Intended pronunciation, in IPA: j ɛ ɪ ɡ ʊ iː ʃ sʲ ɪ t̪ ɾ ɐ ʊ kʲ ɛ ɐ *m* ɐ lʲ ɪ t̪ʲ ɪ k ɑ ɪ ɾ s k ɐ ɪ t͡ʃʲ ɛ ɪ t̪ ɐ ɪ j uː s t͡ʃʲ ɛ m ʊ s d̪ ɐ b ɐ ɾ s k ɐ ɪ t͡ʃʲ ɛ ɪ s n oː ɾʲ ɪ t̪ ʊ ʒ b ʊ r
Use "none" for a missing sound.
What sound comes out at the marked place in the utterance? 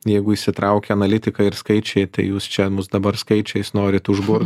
n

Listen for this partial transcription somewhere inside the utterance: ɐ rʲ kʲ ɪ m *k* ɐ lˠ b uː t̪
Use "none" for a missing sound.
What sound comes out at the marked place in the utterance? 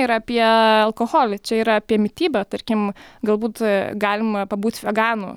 ɡ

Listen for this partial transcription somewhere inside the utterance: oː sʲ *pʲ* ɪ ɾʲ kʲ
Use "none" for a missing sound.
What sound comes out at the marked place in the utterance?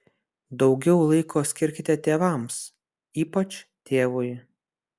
kʲ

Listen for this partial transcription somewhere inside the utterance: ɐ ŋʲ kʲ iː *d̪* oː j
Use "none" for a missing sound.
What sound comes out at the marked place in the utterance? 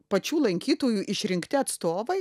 t̪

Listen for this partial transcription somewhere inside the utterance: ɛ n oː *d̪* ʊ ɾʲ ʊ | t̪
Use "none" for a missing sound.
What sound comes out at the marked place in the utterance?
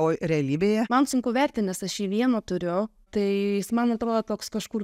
t̪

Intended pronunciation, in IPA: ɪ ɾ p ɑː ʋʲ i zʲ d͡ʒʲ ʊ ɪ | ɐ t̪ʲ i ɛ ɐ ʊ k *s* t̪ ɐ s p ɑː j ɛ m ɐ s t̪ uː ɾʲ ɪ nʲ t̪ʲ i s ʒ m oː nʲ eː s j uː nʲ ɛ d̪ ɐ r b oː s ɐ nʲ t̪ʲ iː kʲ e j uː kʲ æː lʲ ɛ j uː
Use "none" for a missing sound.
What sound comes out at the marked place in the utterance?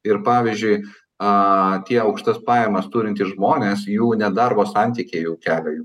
ʃ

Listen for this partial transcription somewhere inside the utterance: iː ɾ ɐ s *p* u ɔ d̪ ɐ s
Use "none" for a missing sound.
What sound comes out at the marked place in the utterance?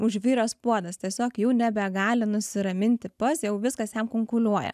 p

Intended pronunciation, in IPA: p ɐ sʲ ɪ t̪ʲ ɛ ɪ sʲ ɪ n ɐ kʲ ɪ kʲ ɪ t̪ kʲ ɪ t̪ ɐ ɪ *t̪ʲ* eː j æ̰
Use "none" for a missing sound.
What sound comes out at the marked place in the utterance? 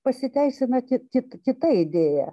d̪ʲ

